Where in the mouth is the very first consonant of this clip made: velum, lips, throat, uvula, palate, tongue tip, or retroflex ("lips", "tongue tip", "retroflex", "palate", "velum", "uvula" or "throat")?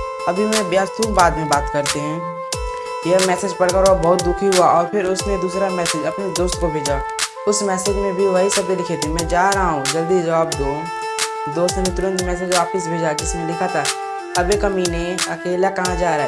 lips